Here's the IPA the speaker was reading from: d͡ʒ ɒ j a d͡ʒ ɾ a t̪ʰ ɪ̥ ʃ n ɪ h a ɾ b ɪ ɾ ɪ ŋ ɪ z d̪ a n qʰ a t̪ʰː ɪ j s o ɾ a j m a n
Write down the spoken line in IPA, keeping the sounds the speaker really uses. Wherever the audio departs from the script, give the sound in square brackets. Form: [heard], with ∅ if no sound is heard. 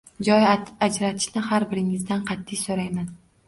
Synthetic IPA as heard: d͡ʒ ɒ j a d͡ʒ ɾ a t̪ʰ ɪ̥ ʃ n ɪ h a ɾ b ɪ ɾ ɪ ŋ ɪ z d̪ a n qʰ [ɑ] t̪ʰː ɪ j s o ɾ a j m a n